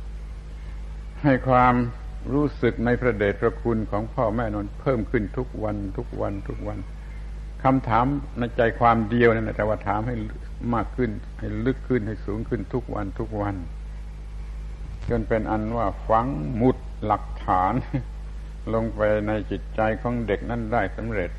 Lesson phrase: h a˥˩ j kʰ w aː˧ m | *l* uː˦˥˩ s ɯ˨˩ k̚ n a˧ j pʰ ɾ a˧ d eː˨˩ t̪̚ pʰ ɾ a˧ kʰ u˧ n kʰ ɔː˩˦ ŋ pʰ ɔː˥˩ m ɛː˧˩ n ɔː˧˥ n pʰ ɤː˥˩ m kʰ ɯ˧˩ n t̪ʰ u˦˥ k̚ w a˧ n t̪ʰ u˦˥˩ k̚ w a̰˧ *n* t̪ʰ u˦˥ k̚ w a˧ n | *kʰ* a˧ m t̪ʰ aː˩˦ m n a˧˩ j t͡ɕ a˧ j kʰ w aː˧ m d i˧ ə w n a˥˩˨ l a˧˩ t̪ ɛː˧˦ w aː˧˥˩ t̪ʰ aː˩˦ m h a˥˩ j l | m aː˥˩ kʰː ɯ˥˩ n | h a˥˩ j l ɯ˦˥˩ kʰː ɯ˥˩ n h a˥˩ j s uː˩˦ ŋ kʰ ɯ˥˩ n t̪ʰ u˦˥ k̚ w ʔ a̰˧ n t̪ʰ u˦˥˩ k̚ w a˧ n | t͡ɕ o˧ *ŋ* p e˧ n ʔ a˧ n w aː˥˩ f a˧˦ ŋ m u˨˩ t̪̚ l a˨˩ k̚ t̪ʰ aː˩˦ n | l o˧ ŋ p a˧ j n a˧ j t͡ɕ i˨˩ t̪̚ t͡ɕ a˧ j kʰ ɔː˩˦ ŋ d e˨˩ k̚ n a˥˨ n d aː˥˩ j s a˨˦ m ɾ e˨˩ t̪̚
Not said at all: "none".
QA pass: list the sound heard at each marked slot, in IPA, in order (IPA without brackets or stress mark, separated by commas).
ɾ, n, kʰ, n